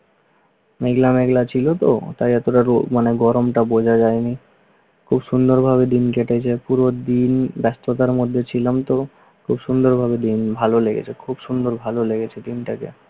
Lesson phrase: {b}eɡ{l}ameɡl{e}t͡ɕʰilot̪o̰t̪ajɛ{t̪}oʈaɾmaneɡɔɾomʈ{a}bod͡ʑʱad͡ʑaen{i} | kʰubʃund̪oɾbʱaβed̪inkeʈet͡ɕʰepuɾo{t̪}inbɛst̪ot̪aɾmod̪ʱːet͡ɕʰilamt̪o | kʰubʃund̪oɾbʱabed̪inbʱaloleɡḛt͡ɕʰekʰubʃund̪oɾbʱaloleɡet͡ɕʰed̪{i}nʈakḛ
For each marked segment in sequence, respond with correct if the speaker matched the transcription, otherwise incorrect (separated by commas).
incorrect, correct, incorrect, correct, correct, correct, incorrect, correct